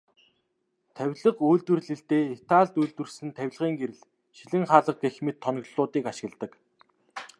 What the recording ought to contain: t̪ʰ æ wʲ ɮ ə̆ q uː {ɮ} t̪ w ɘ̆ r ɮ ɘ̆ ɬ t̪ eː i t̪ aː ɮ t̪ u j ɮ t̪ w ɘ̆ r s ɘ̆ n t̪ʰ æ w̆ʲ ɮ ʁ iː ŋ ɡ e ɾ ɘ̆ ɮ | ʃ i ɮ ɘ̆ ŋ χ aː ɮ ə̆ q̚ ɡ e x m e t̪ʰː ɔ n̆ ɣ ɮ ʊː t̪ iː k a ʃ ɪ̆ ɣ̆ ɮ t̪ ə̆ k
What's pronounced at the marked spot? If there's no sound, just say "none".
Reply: ɮ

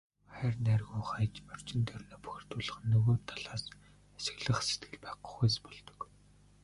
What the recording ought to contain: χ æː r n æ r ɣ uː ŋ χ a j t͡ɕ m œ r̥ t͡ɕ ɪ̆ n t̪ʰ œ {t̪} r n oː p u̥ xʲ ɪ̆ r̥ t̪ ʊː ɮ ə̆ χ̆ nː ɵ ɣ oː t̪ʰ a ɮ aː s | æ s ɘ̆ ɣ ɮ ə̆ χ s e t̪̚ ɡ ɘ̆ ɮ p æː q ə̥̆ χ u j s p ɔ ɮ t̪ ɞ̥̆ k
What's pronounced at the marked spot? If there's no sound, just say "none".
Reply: none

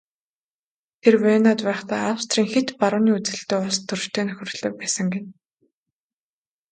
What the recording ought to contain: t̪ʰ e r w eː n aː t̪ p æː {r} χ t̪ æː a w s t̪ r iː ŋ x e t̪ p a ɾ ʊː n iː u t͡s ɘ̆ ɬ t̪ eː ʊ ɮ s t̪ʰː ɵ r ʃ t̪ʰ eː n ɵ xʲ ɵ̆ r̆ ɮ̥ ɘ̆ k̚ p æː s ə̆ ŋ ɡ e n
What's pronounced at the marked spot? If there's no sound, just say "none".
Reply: none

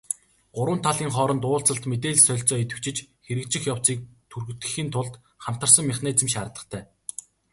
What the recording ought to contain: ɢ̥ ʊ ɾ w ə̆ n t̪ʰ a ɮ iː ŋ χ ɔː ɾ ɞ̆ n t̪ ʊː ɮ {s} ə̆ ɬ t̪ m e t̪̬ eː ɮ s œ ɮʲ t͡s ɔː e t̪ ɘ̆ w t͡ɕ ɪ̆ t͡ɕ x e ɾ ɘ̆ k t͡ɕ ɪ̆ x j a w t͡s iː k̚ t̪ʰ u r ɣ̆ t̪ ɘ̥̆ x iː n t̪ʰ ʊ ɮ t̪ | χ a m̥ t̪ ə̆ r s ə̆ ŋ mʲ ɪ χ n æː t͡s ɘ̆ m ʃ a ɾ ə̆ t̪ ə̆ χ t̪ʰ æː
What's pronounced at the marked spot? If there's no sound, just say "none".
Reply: t͡s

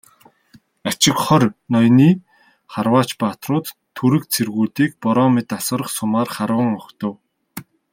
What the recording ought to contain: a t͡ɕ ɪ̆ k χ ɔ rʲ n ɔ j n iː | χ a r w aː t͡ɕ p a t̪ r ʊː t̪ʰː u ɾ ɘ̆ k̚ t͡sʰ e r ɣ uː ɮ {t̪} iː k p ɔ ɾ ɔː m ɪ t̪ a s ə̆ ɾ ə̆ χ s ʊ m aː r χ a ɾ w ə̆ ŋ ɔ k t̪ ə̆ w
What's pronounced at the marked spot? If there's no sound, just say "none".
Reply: t̪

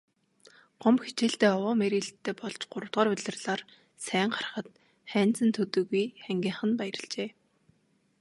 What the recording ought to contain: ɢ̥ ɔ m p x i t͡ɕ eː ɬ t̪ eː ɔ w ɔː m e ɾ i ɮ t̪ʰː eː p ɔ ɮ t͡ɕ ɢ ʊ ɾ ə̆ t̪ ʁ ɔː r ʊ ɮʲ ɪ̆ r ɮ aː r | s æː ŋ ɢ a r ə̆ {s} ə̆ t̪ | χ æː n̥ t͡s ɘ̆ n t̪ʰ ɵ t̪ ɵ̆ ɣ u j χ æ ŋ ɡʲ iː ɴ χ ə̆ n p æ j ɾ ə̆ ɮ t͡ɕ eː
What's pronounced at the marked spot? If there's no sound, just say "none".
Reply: χ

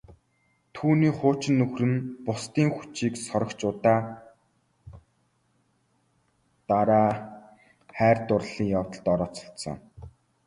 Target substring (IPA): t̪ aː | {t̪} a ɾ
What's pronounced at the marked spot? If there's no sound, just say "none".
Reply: t̪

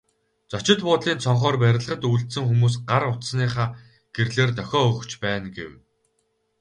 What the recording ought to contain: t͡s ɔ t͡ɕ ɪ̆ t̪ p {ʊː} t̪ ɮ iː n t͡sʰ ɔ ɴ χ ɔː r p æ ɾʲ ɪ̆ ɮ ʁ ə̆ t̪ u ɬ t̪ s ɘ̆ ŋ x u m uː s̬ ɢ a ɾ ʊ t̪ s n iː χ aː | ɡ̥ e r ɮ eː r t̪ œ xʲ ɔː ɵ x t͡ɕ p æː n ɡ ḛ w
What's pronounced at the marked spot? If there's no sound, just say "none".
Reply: ʊː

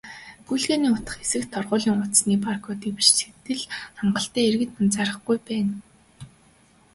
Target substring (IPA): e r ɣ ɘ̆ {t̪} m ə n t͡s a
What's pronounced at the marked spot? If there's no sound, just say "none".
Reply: t̪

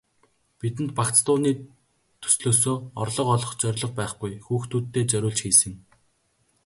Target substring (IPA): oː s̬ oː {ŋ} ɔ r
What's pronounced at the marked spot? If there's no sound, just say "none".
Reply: none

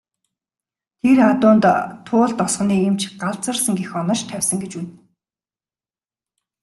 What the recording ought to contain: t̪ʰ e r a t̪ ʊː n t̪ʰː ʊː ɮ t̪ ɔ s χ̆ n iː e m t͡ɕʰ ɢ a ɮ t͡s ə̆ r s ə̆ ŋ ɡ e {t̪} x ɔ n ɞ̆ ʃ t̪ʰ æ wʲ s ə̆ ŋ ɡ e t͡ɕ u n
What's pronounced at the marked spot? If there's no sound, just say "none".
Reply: none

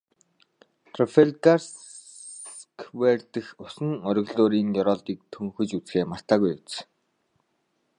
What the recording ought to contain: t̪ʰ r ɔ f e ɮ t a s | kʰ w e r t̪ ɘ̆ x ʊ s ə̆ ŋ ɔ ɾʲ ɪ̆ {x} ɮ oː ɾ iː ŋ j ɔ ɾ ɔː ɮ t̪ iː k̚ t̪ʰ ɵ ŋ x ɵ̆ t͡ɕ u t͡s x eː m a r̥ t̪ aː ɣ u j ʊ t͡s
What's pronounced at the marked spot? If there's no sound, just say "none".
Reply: ɣ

